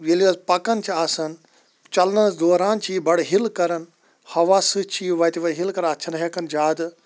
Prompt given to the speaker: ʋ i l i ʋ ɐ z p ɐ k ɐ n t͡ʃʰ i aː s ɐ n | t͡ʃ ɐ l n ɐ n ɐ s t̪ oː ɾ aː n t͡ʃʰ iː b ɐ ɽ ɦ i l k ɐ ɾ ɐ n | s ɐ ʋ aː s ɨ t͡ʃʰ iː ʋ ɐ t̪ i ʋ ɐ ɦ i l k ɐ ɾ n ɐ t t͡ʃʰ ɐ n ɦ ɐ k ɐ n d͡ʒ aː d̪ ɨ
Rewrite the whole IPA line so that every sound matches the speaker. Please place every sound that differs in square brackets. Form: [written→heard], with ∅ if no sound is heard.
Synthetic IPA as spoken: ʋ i l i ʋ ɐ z p ɐ k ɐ n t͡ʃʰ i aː s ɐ n | t͡ʃ ɐ l n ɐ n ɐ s [t̪→d̪] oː ɾ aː n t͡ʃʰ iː b ɐ ɽ ɦ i l k ɐ ɾ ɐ n | [s→h] ɐ ʋ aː s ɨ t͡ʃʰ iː ʋ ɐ t̪ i ʋ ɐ ɦ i l k ɐ ɾ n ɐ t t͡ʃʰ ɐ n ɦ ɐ k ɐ n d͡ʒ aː d̪ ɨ